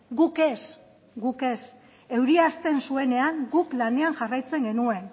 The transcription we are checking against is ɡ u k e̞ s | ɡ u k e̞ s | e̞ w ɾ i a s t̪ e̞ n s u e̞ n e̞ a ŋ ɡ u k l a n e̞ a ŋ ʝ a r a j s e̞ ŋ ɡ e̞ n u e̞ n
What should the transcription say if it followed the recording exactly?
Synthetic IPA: ɡ u k e̞ s | ɡ u k e̞ s | e̞ w ɾ i a s t̪ e̞ n s u e̞ n e̞ a ŋ ɡ u k l a n e̞ a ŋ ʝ a r a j t͡s e̞ ŋ ɡ e̞ n u e̞ n